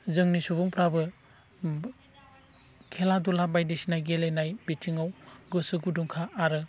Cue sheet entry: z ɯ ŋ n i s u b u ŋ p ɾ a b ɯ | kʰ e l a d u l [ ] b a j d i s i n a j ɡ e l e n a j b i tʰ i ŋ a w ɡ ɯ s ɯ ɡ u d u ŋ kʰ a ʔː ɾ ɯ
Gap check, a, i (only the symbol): a